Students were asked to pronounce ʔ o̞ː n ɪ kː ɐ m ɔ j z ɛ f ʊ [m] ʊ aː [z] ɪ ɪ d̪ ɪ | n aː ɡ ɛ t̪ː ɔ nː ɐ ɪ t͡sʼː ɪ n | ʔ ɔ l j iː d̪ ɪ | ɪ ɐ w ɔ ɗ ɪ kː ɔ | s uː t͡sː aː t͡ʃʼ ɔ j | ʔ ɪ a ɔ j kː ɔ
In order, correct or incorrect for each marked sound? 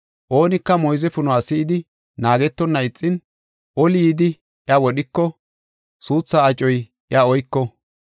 incorrect: n, incorrect: s

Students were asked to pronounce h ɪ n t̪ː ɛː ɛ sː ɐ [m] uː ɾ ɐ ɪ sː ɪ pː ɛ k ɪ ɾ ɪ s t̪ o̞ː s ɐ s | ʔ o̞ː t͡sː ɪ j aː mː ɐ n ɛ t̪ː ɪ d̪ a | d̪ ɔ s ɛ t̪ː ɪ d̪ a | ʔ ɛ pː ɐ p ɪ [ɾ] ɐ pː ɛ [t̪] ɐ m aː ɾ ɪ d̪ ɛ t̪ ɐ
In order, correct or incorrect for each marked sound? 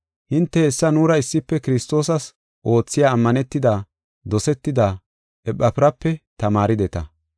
incorrect: n, correct, correct

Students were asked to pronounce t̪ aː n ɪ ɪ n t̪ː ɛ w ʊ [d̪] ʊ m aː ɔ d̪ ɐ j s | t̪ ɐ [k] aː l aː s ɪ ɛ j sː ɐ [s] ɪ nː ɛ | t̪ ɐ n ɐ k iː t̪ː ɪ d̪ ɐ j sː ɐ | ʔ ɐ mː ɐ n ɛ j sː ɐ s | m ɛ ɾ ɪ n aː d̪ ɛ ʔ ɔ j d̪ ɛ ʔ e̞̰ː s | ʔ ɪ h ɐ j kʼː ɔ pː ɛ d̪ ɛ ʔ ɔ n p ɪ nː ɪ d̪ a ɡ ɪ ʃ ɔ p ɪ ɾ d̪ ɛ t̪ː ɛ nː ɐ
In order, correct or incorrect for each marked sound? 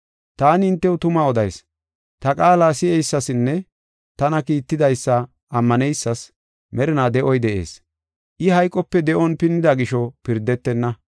incorrect: t̪, incorrect: kʼ, correct

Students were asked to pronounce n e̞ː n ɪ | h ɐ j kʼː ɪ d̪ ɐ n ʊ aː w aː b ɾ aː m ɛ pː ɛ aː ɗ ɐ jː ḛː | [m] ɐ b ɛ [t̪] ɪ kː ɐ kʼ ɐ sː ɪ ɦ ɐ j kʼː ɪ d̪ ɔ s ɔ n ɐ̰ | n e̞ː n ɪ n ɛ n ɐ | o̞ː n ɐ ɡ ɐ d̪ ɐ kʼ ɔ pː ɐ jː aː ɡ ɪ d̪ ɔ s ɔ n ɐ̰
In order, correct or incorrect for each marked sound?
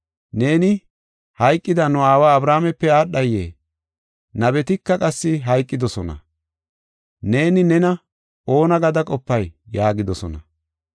incorrect: n, correct

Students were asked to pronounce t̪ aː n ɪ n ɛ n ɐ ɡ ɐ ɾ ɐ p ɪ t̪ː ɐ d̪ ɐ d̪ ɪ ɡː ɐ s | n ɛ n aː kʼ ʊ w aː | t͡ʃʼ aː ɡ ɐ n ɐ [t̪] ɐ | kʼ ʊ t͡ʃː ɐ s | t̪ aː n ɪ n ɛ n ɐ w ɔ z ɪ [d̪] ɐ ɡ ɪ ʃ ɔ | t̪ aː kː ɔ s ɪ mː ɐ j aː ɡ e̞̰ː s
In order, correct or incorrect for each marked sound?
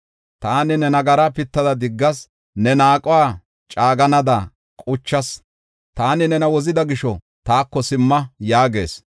incorrect: d̪, correct

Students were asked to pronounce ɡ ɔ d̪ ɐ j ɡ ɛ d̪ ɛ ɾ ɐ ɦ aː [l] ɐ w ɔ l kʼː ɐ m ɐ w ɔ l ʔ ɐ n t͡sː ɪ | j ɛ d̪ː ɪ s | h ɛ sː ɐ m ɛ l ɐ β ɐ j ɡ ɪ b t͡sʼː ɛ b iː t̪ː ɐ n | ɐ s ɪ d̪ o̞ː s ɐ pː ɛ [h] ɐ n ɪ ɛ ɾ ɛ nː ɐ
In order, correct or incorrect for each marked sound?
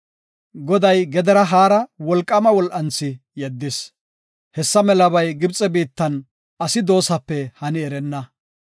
incorrect: ɾ, correct

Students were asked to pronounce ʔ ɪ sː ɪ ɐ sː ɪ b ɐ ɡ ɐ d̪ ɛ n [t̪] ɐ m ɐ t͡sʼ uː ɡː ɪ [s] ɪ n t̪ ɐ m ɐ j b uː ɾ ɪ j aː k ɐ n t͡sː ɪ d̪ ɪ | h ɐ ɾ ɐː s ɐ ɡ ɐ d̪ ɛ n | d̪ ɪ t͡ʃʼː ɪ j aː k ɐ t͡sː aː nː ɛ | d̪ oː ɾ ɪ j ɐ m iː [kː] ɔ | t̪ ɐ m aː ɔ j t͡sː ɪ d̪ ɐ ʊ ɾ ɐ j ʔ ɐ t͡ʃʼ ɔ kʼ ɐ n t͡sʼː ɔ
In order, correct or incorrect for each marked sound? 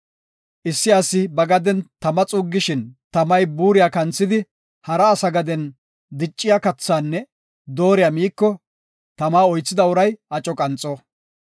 correct, incorrect: ʃ, correct

